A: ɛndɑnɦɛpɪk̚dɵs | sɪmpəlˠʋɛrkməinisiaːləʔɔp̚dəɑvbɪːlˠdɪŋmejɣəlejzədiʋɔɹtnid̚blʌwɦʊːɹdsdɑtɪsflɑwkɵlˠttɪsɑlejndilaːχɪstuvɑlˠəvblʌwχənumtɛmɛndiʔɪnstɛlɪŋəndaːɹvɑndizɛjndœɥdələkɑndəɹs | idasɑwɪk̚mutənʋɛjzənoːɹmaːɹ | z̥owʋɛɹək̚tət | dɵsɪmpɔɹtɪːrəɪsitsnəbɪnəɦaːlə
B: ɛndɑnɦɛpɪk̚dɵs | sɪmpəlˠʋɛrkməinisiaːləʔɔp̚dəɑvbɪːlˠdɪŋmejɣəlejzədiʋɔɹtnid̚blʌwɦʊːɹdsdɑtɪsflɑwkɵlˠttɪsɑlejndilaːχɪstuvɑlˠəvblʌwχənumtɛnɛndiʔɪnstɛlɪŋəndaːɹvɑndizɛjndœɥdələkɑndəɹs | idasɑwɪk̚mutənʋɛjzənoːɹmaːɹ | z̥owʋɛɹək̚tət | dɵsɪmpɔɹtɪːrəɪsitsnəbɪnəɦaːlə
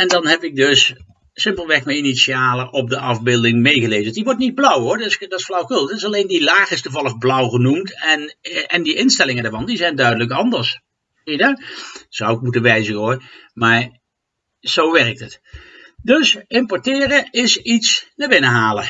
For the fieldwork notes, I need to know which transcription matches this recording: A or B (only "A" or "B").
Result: B